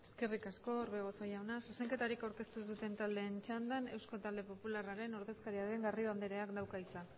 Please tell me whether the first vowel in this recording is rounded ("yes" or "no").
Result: no